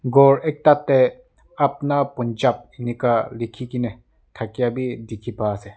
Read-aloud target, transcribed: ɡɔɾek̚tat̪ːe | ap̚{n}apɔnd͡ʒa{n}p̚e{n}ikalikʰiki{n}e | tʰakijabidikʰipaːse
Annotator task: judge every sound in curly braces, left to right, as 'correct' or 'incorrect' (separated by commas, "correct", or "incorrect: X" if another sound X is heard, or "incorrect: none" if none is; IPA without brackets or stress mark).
correct, incorrect: none, correct, correct